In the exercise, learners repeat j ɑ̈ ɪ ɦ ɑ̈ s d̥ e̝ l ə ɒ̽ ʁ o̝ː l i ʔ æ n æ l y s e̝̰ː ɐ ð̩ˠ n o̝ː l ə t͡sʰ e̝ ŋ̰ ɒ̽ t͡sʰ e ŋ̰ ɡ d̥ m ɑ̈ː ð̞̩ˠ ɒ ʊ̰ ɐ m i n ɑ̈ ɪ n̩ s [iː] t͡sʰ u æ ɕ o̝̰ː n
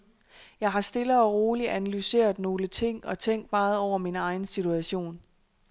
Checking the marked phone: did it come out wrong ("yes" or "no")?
yes